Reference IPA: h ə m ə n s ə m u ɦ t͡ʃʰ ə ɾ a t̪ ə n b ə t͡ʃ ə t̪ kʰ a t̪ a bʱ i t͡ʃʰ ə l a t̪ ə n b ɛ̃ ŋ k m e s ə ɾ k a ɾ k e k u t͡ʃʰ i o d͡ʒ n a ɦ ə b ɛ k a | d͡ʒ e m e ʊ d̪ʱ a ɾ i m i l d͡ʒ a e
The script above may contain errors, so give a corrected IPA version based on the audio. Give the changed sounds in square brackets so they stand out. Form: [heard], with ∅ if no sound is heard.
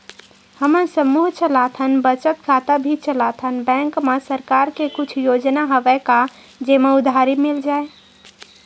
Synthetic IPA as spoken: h ə m ə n s ə m u ɦ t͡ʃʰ ə [l] a [t̪ʰ] ə n b ə t͡ʃ ə t̪ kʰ a t̪ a bʱ i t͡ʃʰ ə l a [t̪ʰ] ə n b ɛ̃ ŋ k m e s ə ɾ k a ɾ k e k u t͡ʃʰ [j] o d͡ʒ n a ɦ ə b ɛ k a | d͡ʒ e m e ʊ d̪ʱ a ɾ i m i l d͡ʒ a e